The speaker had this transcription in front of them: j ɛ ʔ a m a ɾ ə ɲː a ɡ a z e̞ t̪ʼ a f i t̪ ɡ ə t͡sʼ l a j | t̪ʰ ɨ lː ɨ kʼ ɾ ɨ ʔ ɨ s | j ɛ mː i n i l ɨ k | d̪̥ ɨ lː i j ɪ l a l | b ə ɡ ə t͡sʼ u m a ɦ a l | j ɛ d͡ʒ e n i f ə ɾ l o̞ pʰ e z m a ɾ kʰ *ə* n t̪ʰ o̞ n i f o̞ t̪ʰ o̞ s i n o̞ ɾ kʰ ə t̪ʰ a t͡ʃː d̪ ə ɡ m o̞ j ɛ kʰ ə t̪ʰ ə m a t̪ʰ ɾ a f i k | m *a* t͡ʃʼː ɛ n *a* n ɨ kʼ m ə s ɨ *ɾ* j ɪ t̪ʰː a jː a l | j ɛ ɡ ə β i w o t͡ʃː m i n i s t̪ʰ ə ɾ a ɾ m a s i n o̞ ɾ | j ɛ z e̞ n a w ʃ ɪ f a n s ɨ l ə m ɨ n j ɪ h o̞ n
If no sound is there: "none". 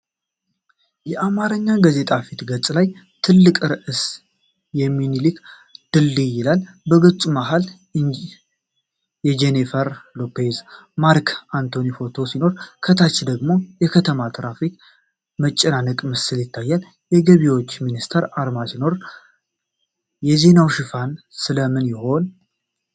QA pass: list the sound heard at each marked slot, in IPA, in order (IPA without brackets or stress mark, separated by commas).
a, ə, a, l